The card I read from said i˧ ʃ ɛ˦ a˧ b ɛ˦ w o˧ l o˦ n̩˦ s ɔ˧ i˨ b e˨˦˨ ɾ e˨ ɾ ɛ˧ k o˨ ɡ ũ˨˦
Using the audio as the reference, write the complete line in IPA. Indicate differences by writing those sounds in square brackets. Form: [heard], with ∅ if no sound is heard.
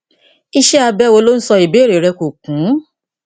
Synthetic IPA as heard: i˧ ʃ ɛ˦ a˧ b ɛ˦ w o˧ l o˦ n̩˦ s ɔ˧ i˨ b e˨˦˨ ɾ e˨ ɾ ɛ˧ k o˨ [k] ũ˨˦